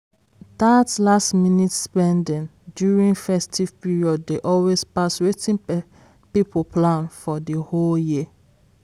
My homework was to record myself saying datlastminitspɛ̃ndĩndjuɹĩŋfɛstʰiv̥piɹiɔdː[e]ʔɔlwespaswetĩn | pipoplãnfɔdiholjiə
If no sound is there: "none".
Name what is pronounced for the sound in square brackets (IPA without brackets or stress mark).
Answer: e